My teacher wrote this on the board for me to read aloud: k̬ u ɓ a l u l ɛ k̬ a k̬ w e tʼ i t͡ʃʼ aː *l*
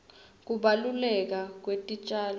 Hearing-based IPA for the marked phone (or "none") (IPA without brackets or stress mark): l